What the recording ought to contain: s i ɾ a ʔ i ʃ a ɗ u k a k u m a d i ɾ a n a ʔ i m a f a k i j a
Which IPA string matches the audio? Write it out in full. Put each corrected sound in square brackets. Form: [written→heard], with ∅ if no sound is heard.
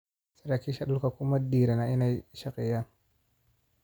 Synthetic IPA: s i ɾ a [ʔ→k] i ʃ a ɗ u k a k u m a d i ɾ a n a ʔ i [m→n] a [f→ʃ] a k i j a